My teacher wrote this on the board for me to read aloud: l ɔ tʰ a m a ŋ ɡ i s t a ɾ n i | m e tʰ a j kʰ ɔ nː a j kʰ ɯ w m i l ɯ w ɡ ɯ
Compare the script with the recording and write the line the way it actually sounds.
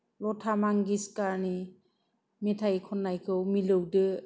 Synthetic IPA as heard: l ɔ tʰ a m a ŋ ɡ i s k a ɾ n i | m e tʰ a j kʰ ɔ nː a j kʰ ɯ w m i l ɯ w d ɯ